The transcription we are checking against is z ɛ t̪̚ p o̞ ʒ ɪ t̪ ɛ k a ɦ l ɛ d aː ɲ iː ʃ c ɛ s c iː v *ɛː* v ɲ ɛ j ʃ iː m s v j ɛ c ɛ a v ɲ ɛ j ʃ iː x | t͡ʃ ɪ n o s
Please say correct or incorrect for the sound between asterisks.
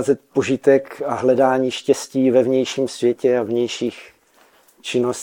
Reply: incorrect